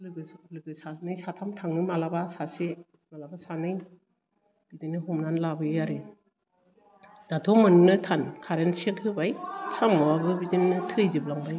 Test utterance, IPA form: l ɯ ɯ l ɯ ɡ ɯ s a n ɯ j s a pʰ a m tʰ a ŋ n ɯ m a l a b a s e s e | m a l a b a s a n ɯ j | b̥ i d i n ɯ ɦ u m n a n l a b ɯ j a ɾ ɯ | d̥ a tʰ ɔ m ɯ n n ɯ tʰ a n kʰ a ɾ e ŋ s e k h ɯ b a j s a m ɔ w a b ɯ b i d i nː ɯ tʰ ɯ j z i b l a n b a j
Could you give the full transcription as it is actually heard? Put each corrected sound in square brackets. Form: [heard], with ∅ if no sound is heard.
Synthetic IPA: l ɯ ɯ l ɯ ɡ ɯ s a n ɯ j s a [tʰ] a m tʰ a ŋ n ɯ m a l a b a s [a] s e | m a l a b a s a n ɯ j | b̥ i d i n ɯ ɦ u m n a n l a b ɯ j a ɾ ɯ | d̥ a tʰ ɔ m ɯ n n ɯ tʰ a n kʰ a ɾ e [n] s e k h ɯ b a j s a m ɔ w a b ɯ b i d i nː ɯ tʰ ɯ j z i b l a [ŋ] b a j